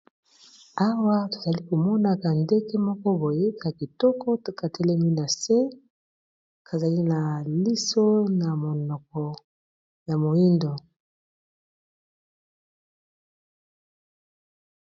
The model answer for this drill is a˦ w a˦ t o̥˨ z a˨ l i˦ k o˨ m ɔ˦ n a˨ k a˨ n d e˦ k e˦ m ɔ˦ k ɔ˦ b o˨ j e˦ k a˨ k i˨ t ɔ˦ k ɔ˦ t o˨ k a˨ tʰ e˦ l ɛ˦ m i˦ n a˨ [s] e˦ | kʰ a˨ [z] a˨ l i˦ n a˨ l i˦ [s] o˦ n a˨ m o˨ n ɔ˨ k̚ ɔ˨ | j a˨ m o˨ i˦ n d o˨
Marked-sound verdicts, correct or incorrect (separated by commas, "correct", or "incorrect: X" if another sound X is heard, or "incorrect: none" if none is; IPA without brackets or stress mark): correct, correct, correct